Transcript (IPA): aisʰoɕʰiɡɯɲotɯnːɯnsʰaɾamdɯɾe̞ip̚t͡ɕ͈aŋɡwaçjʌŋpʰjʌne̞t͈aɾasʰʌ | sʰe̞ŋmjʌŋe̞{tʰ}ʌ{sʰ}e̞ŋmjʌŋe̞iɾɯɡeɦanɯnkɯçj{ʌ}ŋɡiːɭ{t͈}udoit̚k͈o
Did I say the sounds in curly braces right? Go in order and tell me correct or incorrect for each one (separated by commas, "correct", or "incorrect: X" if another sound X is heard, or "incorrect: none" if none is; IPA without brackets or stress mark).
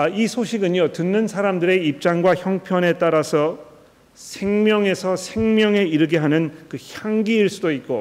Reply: incorrect: sʰ, correct, incorrect: a, incorrect: s͈